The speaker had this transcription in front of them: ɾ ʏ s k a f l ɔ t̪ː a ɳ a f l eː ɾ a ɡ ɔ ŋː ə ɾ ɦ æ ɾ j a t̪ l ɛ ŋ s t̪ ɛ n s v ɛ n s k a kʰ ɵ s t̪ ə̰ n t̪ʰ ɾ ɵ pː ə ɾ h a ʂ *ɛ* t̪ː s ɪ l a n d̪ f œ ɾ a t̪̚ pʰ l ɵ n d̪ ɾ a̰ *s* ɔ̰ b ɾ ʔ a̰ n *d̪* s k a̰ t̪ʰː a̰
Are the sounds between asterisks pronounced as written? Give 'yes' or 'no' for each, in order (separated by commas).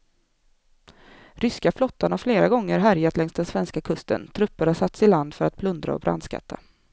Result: no, no, yes